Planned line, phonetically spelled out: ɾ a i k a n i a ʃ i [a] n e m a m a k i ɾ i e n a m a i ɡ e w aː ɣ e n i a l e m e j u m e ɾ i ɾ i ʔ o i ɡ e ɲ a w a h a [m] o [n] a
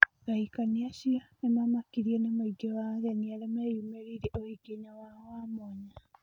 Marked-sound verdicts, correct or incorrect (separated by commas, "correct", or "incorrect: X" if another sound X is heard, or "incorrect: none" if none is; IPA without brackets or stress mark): correct, correct, incorrect: ɲ